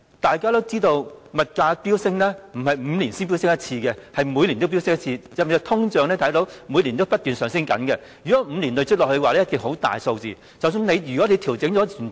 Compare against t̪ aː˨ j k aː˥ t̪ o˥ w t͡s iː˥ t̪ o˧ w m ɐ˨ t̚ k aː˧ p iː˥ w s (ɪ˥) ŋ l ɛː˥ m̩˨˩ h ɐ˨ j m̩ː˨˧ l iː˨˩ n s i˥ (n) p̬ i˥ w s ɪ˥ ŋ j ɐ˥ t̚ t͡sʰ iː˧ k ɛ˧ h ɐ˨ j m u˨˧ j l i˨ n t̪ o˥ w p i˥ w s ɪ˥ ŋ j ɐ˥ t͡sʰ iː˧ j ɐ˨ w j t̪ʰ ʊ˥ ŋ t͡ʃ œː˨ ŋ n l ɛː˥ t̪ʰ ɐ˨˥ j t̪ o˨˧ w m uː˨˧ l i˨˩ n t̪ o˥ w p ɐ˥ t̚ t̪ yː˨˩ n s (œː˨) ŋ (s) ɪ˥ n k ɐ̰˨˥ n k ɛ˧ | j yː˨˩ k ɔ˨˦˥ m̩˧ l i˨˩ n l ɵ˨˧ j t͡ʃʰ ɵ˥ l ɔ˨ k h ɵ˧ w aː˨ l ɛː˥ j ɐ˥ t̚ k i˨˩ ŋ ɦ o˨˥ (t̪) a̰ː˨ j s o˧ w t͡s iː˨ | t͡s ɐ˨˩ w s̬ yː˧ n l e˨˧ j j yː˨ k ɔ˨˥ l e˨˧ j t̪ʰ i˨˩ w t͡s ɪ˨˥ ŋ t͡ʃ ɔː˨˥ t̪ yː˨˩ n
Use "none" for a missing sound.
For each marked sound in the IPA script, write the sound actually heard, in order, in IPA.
ɪ˥, n, œː˨, s, t̪

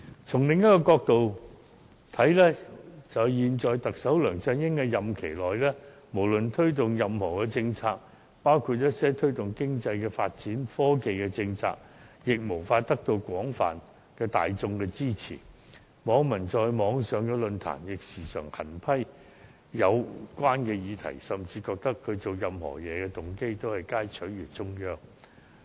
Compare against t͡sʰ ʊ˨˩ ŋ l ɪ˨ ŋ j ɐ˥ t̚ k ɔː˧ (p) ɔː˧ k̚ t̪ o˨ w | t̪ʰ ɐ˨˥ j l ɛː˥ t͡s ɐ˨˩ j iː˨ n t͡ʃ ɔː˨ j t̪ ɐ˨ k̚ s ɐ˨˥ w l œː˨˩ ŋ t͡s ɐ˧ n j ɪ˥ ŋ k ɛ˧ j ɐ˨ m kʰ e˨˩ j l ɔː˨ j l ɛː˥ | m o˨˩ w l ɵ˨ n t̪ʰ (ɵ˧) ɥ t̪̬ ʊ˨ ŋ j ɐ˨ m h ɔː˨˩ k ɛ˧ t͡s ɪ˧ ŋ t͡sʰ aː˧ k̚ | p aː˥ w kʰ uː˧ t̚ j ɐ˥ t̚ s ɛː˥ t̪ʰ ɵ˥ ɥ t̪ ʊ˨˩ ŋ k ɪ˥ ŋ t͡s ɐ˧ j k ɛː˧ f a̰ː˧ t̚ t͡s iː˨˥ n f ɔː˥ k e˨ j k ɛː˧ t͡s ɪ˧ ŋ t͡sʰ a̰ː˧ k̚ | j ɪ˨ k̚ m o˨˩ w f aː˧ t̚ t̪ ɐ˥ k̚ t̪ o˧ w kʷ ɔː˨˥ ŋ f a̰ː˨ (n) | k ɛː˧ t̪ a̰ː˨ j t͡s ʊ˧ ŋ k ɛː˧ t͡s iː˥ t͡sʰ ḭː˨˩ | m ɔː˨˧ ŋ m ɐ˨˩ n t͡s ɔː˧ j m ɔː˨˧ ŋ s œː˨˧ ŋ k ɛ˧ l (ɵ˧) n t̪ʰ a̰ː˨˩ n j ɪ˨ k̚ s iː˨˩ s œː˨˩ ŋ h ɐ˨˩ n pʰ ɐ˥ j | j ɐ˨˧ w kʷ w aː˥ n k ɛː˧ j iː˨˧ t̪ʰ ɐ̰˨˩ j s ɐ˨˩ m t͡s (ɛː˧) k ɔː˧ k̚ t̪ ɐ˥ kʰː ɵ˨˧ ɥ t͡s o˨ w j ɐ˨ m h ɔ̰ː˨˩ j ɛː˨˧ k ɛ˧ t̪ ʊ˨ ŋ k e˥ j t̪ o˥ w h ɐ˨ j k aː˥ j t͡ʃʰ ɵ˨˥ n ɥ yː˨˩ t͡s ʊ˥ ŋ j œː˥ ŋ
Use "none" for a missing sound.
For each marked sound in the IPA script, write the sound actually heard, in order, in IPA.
k, ɵ˥, n, ɵ˧, iː˧

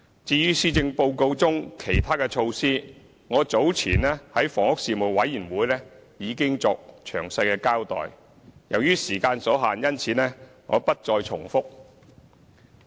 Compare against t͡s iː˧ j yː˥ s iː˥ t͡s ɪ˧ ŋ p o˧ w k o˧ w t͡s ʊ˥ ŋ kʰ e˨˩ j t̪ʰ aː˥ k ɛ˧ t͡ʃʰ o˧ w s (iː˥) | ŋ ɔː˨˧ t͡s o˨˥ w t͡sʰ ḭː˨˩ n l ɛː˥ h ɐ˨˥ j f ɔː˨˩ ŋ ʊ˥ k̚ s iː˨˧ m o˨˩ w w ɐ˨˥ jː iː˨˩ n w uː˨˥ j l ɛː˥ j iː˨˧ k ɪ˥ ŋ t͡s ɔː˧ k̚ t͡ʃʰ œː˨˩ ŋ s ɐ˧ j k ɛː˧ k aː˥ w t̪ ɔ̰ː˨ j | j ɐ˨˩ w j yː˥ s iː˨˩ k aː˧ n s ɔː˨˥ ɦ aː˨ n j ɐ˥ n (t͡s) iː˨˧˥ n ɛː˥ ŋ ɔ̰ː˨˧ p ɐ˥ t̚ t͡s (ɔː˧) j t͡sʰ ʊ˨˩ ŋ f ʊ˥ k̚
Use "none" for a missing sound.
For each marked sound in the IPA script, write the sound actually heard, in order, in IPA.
iː˥, t͡sʰ, ɔː˧

